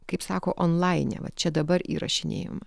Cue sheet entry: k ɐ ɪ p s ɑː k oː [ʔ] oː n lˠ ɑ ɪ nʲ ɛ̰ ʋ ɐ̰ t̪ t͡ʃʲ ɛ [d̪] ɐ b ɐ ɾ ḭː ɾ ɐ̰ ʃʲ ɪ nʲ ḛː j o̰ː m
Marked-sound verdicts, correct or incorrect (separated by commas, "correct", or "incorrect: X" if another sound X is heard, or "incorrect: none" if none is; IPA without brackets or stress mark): correct, correct